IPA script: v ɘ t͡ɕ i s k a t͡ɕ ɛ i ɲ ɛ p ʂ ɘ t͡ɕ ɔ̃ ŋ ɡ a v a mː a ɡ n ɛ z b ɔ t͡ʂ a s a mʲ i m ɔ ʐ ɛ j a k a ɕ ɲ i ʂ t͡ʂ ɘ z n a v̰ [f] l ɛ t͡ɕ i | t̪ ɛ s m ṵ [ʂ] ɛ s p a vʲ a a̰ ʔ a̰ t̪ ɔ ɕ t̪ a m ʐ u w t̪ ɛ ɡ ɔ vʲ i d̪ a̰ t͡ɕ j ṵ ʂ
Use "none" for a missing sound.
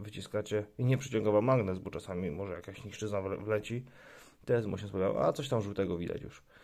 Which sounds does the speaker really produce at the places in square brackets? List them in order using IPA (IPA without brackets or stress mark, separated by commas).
v, ɕ